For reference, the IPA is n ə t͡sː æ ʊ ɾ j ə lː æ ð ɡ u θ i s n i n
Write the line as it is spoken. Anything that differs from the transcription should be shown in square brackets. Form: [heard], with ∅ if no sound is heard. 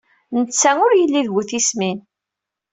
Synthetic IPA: n ə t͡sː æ ʊ ɾ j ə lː [i] ð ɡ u θ i s [m] i n